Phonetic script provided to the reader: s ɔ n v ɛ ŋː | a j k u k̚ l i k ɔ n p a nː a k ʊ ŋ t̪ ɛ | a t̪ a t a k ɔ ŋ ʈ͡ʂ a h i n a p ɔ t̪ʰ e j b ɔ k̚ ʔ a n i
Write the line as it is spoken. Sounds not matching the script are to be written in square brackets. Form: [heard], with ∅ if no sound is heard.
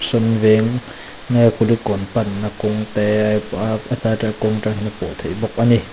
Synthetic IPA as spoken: s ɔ n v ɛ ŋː | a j k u [∅] l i k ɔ n p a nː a k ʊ ŋ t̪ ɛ | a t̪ a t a k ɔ ŋ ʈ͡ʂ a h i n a p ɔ t̪ʰ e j b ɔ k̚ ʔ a n i